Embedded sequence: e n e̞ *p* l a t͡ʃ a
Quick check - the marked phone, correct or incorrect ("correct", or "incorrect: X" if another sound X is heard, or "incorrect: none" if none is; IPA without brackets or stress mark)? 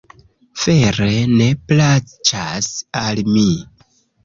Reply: correct